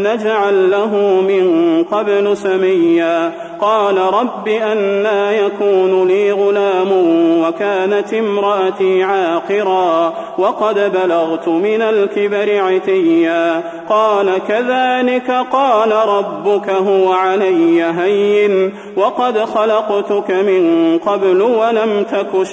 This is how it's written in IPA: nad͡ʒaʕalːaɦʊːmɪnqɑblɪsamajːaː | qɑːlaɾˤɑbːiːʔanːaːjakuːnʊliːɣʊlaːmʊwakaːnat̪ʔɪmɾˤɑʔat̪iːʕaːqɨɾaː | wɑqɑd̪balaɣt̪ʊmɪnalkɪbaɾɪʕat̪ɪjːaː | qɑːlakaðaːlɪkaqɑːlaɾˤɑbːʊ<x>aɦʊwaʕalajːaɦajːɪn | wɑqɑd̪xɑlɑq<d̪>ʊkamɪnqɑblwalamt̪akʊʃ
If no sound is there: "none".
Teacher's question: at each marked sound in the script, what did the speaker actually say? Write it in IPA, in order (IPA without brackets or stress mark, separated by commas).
k, t̪